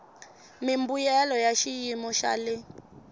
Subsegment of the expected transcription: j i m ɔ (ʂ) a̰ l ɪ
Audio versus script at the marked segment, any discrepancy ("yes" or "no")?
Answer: yes